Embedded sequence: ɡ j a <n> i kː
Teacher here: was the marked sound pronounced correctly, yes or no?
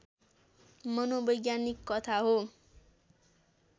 yes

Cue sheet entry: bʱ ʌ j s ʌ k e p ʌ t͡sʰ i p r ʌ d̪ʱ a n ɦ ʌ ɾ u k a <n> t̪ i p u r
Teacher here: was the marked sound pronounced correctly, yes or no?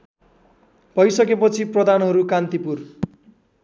yes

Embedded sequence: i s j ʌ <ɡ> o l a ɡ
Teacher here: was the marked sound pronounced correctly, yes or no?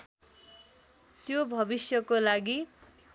no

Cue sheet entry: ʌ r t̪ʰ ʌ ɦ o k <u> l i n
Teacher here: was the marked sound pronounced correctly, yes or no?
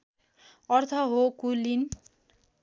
yes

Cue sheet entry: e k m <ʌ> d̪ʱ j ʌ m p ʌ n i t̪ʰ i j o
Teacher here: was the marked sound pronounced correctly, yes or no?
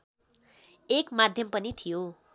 no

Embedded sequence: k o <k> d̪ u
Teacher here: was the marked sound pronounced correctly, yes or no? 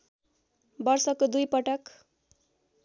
no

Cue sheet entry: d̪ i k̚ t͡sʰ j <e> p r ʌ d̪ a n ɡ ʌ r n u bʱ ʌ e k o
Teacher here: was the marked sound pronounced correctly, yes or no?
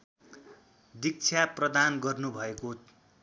no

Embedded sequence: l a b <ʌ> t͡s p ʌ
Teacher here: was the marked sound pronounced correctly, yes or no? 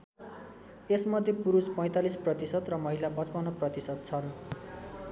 yes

